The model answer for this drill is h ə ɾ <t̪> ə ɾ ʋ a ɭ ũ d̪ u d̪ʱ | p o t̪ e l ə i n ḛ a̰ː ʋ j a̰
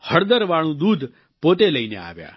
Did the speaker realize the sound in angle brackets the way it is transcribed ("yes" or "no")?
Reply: no